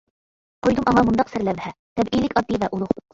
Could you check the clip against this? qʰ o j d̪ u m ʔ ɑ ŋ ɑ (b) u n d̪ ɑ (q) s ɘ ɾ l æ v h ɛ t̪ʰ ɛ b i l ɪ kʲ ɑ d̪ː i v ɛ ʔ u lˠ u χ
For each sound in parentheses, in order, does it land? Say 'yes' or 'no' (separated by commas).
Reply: no, yes